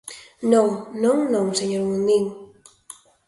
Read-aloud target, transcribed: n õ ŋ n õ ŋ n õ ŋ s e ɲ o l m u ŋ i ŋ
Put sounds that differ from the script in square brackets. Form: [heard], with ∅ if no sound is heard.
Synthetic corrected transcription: n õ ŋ n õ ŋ n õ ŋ s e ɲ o [ɾ] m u [n] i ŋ